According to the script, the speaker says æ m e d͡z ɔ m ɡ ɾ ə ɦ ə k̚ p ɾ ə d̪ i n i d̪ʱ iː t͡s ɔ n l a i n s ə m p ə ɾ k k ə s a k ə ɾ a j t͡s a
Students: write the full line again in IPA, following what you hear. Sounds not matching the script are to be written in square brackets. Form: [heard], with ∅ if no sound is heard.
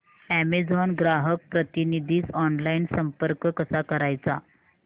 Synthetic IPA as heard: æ m e d͡z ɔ [n] ɡ ɾ [a] ɦ ə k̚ p ɾ ə [t̪] i n i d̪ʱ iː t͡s ɔ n l a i n s ə m p ə ɾ k k ə s a k ə ɾ a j t͡s a

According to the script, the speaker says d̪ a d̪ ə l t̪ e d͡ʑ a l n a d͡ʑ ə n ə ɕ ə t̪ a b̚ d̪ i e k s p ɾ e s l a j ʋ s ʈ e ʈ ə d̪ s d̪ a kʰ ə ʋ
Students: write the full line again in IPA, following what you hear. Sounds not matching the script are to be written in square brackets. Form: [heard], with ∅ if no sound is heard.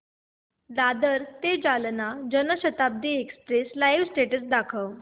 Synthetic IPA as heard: d̪ a d̪ ə [ɾ] t̪ e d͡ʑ a l n a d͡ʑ ə n ə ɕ ə t̪ a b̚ d̪ i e k s p ɾ e s l a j ʋ s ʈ e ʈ ə [∅] s d̪ a kʰ ə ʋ

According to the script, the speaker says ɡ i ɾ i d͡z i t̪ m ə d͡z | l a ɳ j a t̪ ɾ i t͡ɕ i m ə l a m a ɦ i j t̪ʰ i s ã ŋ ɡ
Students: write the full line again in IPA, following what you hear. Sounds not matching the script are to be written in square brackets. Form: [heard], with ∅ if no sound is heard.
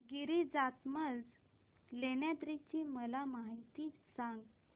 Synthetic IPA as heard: ɡ i ɾ i d͡z [a] t̪ m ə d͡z | l [e] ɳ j a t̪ ɾ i t͡ɕ i m ə l a m a ɦ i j [t̪] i s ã ŋ ɡ

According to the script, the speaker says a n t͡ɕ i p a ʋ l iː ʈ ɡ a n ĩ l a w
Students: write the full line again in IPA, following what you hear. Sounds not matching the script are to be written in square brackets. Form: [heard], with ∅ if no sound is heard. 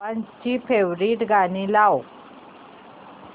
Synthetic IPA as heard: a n t͡ɕ i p [e] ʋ [ɾ] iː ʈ ɡ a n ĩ l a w

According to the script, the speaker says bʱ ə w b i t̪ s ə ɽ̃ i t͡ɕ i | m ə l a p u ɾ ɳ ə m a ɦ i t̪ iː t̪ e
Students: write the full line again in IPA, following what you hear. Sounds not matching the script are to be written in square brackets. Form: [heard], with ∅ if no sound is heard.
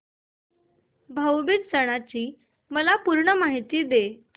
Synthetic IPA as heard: bʱ ə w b i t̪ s ə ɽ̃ [a] t͡ɕ [iː] | m ə l a p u ɾ ɳ ə m a ɦ i t̪ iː [d̪] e

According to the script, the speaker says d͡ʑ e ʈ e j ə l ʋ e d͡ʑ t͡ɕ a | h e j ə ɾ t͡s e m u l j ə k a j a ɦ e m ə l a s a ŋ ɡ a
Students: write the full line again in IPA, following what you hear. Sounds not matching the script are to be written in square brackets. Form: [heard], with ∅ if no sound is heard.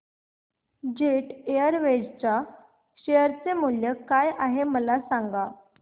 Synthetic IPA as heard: d͡ʑ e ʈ e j ə [ɾ] ʋ e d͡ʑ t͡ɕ a | [ɕ] e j ə ɾ t͡s e m u l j ə k a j a ɦ e m ə l a s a ŋ ɡ a

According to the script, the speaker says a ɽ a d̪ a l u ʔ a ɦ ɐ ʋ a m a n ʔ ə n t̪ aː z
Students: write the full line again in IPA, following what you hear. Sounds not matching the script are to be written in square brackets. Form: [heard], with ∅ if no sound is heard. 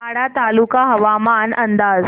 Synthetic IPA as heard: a ɽ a [t̪] a l u [k] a ɦ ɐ ʋ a m a n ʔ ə n [d̪] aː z

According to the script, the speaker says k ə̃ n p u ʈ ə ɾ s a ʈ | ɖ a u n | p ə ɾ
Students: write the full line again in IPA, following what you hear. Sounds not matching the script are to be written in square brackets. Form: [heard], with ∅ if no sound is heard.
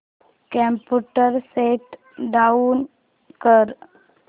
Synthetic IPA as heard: k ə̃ [m] p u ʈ ə ɾ s [e] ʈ | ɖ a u n | [k] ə ɾ

